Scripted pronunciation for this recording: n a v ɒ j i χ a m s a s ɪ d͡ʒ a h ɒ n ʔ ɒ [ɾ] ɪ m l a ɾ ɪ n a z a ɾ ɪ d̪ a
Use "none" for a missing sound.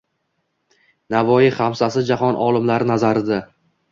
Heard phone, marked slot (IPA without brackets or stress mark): l